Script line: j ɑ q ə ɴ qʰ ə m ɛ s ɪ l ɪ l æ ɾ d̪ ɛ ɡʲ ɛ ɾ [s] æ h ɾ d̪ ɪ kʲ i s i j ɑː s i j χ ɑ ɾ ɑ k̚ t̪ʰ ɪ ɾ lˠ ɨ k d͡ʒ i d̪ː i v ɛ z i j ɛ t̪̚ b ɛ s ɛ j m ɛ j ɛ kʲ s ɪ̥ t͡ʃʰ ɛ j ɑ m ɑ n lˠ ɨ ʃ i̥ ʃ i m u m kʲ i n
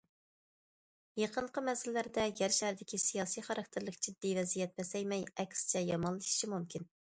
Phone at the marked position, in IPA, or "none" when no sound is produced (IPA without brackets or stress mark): ʃ